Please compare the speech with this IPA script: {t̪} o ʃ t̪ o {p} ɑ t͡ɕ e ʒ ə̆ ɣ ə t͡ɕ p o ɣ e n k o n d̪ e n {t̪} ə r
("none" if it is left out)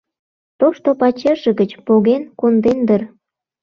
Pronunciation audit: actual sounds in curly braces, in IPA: t̪, p, d̪

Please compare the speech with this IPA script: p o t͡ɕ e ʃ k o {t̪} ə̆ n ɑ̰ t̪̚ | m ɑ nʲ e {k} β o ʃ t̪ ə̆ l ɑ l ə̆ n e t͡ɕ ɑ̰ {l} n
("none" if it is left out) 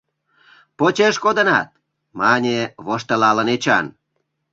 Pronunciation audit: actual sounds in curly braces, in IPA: d̪, none, none

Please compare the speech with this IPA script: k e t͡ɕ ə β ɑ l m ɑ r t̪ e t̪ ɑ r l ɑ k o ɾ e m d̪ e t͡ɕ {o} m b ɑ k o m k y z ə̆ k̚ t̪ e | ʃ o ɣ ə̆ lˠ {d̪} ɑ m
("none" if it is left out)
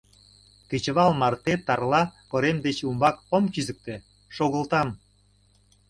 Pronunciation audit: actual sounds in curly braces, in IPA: u, t̪

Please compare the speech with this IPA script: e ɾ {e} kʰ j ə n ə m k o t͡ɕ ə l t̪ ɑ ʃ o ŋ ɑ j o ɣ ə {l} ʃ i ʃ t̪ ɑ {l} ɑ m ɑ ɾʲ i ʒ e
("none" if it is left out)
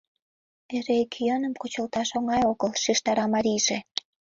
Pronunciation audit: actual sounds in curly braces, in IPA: e, l, ɾ

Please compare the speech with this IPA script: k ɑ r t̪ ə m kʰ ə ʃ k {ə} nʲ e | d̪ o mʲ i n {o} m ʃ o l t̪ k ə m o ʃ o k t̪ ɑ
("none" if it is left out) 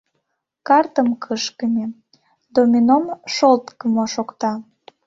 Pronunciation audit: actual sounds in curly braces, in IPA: ə, o

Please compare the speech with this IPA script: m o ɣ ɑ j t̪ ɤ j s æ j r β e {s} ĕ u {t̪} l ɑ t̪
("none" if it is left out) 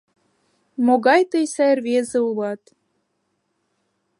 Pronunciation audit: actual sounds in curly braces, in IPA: z, none

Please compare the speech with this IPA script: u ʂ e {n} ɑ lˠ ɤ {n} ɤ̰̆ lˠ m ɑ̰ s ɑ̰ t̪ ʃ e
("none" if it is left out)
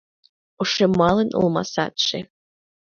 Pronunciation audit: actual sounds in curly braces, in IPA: m, n

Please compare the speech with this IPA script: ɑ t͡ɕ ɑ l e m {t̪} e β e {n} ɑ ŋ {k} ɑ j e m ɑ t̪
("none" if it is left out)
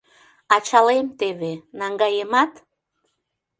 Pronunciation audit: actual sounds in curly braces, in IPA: t̪, n, ɡ

